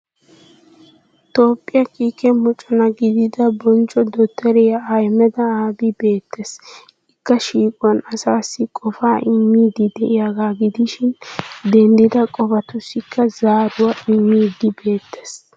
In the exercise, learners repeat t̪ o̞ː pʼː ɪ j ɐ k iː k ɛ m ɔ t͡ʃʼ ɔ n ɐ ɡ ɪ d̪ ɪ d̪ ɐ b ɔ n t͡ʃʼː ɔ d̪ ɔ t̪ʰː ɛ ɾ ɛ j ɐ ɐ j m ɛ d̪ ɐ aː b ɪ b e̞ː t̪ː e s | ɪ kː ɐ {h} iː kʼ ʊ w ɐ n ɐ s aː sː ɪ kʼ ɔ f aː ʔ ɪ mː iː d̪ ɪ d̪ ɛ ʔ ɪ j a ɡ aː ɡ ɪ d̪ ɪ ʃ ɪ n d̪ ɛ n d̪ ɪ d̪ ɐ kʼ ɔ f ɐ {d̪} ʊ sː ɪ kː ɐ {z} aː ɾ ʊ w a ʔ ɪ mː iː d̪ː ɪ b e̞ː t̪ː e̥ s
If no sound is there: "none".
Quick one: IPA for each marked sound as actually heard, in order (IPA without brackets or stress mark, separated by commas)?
ʃ, t̪, z